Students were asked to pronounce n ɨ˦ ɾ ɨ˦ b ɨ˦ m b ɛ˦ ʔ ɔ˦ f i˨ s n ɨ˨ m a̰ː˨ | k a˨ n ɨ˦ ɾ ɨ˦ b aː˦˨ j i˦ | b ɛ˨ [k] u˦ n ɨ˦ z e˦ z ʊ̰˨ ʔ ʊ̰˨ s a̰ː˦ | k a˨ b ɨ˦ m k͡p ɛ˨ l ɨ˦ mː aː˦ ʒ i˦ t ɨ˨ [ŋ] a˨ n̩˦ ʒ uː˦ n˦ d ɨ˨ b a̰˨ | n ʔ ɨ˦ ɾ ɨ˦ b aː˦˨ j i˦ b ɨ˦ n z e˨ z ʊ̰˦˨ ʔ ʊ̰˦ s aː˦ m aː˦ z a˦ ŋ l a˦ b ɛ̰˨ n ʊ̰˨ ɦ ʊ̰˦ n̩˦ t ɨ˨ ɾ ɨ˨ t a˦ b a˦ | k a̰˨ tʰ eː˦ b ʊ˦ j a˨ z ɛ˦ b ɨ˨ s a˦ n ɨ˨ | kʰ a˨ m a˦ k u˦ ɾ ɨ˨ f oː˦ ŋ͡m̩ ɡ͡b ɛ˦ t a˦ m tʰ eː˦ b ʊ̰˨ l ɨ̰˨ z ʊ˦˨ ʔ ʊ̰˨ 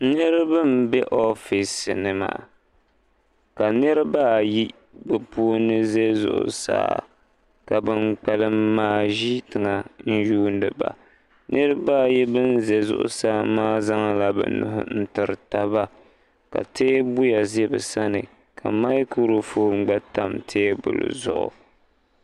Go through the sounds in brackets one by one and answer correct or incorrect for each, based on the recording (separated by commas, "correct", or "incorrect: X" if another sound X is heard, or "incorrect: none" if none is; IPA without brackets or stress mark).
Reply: incorrect: p, correct